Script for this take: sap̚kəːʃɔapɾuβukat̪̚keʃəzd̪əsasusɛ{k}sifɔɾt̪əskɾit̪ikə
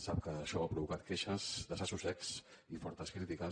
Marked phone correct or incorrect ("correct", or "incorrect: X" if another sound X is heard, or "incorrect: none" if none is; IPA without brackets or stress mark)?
correct